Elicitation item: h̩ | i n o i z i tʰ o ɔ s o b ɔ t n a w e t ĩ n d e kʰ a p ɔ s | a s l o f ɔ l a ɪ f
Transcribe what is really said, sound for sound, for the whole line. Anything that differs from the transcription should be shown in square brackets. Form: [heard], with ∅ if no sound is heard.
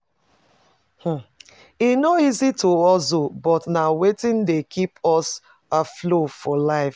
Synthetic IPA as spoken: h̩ | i n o i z i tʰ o ɔ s o b ɔ t n a w e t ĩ n d e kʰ [i] p ɔ s | a [f] l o f ɔ l a ɪ f

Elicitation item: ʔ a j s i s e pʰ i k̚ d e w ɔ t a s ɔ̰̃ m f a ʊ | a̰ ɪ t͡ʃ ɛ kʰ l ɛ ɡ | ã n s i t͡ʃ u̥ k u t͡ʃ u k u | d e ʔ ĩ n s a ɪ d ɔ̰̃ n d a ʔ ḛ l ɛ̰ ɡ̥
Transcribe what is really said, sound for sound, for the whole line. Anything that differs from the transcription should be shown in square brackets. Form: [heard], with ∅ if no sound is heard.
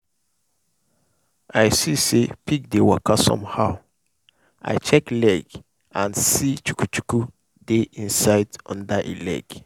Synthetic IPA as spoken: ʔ a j s i s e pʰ i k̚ d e w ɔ [k] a s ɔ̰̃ m [h] a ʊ | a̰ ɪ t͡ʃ ɛ [k] l ɛ ɡ | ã n s i t͡ʃ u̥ k u t͡ʃ u k u | d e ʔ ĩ n s a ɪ d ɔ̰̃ n d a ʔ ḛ l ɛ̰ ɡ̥

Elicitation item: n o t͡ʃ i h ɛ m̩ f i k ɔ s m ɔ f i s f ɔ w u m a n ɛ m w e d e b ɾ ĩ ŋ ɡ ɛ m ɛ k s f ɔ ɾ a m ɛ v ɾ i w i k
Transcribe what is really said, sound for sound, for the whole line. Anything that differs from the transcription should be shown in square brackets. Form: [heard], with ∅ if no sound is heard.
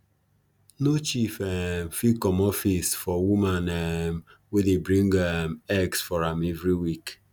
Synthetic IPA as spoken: n o t͡ʃ i [f] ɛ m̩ f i k ɔ [∅] m ɔ f i s f ɔ w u m a n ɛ m w e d e b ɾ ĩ ŋ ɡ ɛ m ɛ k s f ɔ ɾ a m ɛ v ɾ i w i k

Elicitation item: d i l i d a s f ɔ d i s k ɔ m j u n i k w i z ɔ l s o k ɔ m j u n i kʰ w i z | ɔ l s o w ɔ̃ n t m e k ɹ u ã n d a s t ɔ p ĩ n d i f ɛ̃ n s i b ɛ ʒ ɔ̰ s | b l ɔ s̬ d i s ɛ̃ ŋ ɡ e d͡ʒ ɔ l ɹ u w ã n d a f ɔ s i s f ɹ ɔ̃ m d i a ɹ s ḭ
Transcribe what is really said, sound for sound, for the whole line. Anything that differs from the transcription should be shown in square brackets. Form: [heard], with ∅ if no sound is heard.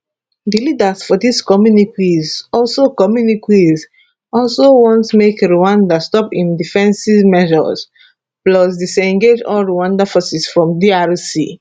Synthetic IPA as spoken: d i l i d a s f ɔ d i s k ɔ m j u n i k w i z ɔ l s o k ɔ m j u n i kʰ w i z | ɔ l s o w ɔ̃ n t m e k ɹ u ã n d a s t ɔ p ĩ n d i f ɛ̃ n s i [m] ɛ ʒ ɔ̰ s | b l ɔ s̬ d i s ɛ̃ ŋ ɡ e d͡ʒ ɔ l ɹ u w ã n d a f ɔ s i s f ɹ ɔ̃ m d i a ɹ s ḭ

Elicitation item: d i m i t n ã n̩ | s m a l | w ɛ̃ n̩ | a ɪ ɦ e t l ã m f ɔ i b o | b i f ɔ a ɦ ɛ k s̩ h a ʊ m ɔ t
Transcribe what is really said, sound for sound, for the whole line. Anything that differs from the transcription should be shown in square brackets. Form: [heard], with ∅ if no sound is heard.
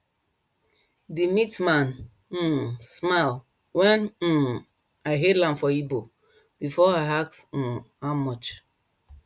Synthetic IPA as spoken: d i m i t [m] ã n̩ | s m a l | w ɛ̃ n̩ | a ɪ ɦ e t l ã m f ɔ i b o | b i f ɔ a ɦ [a] k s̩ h a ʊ m ɔ [t͡ʃ]

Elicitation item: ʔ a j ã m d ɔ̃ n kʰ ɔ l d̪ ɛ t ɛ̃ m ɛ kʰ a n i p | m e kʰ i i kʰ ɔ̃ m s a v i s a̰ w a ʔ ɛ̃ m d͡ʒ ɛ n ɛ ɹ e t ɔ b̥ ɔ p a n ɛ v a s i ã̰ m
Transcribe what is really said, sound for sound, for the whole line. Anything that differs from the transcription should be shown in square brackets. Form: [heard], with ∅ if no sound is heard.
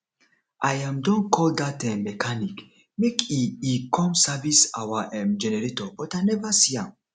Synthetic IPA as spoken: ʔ a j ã m d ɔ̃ n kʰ ɔ l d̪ [a] t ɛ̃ m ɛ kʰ a n i [k] | m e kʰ i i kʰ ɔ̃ m s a v i s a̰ w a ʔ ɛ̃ m d͡ʒ ɛ n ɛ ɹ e t ɔ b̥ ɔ [t] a n ɛ v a s i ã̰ m

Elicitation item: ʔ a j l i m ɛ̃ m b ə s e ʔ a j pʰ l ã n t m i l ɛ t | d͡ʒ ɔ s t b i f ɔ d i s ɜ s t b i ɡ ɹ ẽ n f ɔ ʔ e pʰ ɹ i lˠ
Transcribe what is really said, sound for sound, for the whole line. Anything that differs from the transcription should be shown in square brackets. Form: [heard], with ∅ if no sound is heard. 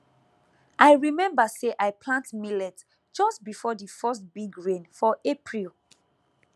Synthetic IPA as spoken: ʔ a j [ɹ] i m ɛ̃ m b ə s e ʔ a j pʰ l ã n t m i l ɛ t | d͡ʒ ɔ s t b i f ɔ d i [f] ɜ s t b i ɡ ɹ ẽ n f ɔ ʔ e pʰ ɹ i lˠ

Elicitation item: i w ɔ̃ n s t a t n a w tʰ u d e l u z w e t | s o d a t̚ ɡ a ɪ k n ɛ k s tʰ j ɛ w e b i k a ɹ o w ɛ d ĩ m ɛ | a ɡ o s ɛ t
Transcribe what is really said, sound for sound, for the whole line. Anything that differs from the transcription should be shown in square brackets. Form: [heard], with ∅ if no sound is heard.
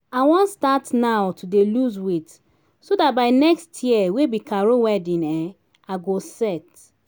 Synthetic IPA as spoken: [a] w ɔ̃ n s t a t n a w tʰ u d e l u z w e t | s o d a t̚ [b] a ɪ [∅] n ɛ k s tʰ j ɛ w e b i k a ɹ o w ɛ d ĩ [n] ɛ | a ɡ o s ɛ t

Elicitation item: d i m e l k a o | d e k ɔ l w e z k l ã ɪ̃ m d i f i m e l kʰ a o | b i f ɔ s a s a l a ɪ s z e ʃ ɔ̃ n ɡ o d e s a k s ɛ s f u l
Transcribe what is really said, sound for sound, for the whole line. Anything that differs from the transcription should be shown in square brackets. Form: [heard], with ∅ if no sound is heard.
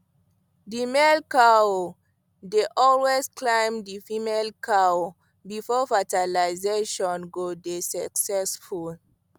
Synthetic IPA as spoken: d i m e l k a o | d e [ʔ] ɔ l w e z k l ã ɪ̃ m d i f i m e l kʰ a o | b i f ɔ [f] a [t] a l a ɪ [∅] z e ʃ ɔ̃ n ɡ o d e s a k s ɛ s f u l

